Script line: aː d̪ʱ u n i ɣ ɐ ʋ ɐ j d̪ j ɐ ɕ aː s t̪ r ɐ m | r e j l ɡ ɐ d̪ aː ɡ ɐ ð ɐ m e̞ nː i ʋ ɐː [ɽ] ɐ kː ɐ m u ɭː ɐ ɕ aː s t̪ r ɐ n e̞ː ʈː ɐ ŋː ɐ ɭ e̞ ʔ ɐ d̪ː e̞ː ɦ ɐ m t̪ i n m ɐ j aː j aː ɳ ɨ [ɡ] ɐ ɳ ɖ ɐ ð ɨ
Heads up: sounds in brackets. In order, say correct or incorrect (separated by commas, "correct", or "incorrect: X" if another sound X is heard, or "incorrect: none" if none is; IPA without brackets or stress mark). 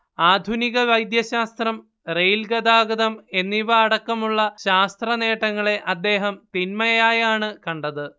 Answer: correct, incorrect: k